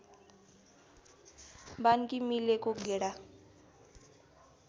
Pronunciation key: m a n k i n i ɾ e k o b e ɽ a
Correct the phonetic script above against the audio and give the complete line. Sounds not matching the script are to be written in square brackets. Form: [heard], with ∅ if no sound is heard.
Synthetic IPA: [b] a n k i [m] i [l] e k o [ɡ] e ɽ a